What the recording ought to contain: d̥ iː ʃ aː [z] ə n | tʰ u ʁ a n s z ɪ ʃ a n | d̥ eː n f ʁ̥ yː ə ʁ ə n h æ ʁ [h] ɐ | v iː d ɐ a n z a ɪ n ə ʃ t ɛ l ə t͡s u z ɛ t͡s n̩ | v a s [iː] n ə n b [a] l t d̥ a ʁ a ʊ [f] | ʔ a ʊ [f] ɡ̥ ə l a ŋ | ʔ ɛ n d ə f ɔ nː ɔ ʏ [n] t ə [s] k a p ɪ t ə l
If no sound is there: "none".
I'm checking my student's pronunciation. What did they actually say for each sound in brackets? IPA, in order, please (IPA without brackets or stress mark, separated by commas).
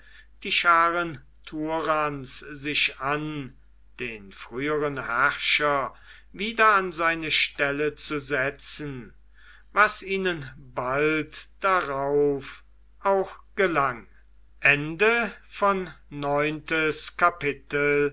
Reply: ʁ, ʃ, iː, a, f, x, n, s